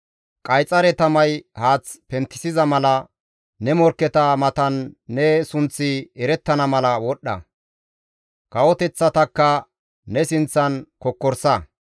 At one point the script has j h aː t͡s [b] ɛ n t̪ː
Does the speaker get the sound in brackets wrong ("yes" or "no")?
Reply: yes